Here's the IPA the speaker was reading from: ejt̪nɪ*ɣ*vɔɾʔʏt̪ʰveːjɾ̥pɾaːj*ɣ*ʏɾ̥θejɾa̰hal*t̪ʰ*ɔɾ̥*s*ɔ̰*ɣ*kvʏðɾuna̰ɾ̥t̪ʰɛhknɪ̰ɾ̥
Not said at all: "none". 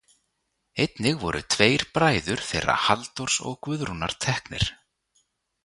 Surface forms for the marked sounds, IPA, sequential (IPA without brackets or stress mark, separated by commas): ɣ, ð, t̪, s, ɣ